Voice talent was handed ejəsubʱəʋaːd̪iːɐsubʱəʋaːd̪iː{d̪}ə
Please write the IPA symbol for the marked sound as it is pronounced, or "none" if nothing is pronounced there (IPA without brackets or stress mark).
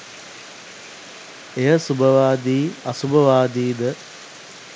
d̪